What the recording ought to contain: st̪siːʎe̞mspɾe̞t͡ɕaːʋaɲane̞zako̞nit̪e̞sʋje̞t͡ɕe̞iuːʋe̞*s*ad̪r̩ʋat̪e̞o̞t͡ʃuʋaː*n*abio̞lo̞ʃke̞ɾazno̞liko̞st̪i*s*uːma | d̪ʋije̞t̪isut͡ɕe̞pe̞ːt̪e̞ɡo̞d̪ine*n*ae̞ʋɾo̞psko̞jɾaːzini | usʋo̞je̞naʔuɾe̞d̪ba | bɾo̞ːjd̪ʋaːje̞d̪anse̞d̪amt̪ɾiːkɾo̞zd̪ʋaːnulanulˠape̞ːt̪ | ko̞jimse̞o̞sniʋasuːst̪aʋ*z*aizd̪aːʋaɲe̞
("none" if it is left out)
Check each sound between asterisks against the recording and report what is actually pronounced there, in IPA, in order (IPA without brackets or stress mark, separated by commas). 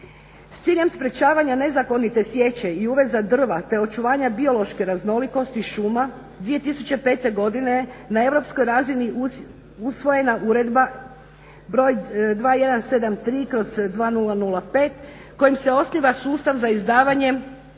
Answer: z, ɲ, ʃ, n, z